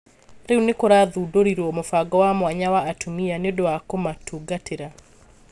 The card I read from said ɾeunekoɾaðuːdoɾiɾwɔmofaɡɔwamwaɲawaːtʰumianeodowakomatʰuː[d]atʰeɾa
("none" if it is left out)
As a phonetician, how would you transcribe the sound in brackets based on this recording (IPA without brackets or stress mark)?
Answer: ɡ